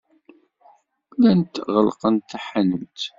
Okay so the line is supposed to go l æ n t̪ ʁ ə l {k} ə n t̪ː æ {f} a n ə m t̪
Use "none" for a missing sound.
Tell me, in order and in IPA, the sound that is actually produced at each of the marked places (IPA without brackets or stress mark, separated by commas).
q, ħ